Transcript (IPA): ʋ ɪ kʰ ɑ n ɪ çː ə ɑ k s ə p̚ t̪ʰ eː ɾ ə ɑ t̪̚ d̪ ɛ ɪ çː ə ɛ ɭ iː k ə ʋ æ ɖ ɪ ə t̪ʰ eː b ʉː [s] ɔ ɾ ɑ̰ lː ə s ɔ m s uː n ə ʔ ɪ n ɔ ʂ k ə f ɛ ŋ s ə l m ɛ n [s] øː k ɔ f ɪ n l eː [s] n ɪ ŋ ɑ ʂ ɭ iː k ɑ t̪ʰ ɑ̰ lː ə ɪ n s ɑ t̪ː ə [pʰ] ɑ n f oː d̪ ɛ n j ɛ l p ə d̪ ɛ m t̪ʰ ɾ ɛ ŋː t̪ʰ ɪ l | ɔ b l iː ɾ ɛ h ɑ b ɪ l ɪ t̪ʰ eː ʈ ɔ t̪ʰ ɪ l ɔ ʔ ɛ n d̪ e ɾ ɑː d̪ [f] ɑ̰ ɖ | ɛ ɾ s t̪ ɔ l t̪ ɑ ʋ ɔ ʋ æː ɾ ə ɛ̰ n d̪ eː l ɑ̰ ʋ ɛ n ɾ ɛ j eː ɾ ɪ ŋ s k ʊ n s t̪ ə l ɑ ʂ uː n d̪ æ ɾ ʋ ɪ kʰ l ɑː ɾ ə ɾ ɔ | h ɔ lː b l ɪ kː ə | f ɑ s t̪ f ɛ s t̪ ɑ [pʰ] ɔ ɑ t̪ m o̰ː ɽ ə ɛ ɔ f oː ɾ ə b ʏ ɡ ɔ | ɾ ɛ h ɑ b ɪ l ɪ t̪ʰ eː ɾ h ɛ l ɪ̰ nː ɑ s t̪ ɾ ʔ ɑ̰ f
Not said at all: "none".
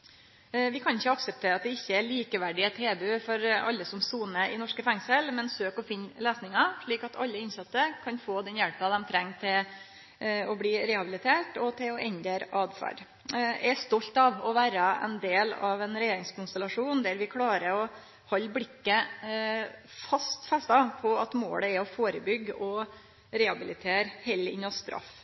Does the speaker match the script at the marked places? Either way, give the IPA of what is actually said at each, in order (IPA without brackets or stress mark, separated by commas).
f, s, s, kʰ, f, pʰ